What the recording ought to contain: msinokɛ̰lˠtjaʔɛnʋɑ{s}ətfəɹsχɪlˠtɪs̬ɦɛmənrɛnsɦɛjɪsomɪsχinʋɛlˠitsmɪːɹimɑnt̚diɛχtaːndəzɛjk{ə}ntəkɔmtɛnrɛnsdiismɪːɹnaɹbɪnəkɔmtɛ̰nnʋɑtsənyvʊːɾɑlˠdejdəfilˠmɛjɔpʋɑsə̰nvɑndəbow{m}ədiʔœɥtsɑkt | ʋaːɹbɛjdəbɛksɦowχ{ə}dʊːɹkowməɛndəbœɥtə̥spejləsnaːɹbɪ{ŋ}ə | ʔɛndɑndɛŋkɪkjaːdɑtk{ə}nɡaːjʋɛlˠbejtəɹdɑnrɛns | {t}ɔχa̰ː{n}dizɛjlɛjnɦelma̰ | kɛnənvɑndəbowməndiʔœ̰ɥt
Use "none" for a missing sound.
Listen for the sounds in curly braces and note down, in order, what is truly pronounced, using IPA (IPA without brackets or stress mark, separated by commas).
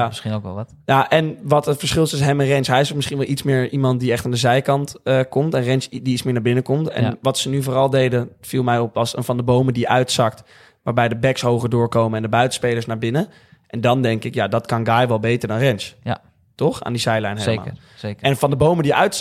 t, ɑ, m, ə, n, ɑ, t, n